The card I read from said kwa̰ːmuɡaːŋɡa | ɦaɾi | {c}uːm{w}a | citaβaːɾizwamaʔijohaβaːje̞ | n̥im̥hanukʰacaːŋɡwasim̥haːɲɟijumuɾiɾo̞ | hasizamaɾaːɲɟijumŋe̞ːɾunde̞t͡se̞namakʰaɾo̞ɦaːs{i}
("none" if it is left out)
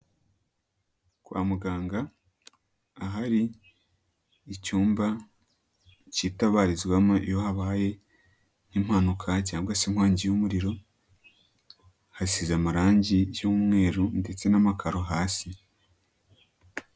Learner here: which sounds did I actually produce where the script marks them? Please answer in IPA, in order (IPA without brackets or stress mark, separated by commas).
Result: c, b, i